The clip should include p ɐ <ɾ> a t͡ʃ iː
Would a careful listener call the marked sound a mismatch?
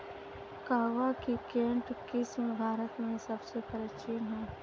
no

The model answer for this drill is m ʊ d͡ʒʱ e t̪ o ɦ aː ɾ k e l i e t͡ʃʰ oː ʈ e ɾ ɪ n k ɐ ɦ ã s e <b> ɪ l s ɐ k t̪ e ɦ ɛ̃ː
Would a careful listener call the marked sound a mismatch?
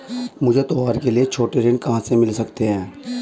yes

